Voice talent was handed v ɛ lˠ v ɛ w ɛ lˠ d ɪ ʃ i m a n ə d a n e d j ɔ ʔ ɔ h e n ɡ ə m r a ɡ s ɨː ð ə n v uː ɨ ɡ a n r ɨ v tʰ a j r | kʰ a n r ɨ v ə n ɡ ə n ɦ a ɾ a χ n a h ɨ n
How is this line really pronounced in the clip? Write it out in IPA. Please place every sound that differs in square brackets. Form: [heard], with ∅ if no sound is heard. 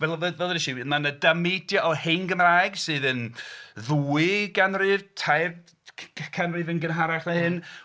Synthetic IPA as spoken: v ɛ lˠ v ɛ [v] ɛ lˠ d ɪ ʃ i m a n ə d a [m] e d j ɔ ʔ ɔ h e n ɡ ə m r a ɡ s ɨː ð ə n [ð] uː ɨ ɡ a n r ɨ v tʰ a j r | kʰ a n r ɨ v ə n ɡ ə n ɦ a ɾ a χ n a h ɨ n